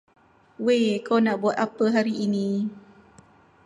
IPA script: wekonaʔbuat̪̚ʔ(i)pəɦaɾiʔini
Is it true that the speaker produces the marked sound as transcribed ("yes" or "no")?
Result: no